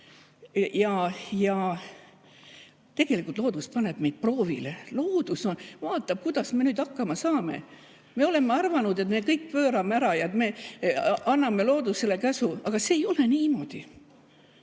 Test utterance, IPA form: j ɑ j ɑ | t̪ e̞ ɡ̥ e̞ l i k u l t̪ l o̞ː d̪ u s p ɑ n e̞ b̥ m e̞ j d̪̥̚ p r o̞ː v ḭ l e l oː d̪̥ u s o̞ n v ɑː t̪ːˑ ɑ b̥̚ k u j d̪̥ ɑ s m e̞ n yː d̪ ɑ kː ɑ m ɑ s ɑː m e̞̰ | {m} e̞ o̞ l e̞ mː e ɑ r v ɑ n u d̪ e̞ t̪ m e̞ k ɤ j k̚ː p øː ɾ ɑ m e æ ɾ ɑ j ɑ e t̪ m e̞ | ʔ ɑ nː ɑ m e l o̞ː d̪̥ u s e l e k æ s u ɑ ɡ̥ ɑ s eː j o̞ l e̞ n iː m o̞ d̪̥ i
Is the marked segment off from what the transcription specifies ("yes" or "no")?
no